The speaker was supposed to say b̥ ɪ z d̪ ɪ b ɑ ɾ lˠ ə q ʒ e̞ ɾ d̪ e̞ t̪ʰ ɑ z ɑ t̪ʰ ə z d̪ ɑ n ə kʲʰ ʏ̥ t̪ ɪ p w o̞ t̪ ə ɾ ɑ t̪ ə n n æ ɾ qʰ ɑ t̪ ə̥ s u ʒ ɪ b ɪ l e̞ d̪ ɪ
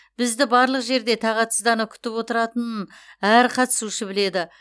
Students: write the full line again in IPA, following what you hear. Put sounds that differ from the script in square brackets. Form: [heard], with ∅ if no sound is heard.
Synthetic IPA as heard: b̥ ɪ z d̪ ɪ b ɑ ɾ lˠ ə q ʒ e̞ ɾ d̪ e̞ t̪ʰ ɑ [ʁ] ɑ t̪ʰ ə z d̪ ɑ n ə kʲʰ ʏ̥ t̪ ɪ p w o̞ t̪ ə ɾ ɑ t̪ ə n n æ ɾ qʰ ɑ t̪ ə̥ s u [ʃ] ɪ b ɪ l e̞ d̪ ɪ